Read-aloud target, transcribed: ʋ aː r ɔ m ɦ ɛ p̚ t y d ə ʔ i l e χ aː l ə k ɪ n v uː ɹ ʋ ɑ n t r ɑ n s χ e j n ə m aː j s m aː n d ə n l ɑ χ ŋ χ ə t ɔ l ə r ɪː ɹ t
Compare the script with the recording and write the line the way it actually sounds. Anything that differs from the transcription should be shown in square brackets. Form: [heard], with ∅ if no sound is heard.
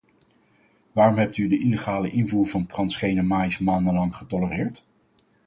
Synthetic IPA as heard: ʋ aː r ɔ m ɦ ɛ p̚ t y d ə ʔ i l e χ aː l ə [ʔ] ɪ n v uː ɹ [v] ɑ n t r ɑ n s χ e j n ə m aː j s m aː n d ə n l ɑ [∅] ŋ χ ə t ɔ l ə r ɪː ɹ t